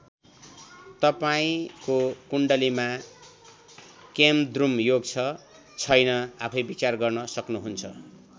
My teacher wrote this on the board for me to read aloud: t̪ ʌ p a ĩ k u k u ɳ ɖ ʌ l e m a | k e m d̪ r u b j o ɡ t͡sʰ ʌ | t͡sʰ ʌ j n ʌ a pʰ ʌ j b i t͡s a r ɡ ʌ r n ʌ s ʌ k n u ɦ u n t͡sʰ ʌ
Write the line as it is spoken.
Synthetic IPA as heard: t̪ ʌ p a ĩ k o k u ɳ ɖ ʌ l i m a | k e m d̪ r u m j o ɡ t͡sʰ ʌ | t͡sʰ ʌ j n ʌ a pʰ ʌ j b i t͡s a r ɡ ʌ r n ʌ s ʌ k n u ɦ u n t͡sʰ ʌ